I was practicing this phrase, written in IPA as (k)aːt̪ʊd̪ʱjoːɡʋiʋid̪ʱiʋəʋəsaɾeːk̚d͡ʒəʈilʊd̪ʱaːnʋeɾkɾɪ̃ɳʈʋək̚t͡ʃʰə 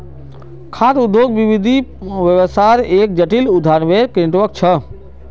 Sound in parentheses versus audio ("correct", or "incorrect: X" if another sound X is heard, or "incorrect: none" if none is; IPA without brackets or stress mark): incorrect: kʰ